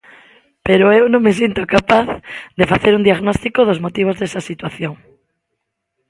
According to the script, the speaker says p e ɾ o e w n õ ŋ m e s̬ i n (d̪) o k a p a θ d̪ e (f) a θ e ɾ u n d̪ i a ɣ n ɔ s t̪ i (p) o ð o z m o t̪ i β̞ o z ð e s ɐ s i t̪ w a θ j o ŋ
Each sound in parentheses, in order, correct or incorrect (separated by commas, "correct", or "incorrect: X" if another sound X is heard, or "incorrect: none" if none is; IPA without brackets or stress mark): incorrect: t̪, correct, incorrect: k